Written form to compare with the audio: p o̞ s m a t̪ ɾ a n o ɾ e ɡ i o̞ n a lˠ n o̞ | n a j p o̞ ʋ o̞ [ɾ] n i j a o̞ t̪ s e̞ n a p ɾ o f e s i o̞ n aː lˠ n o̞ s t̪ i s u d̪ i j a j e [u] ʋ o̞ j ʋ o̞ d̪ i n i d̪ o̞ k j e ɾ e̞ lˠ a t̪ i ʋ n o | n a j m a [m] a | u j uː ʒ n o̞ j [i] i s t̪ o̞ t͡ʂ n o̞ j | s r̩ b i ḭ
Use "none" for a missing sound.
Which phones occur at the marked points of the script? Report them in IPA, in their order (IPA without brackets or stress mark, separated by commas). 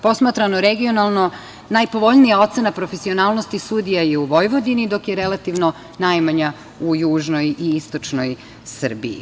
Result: ʎ, u, ɲ, i